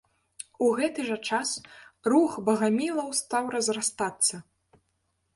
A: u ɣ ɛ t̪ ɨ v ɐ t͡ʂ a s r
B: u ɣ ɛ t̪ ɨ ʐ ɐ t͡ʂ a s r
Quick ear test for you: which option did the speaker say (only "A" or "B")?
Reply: B